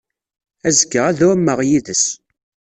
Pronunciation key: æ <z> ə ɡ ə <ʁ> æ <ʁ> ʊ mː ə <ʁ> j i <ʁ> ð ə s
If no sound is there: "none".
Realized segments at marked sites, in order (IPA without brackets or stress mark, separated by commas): z, ʁ, ð, ʁ, none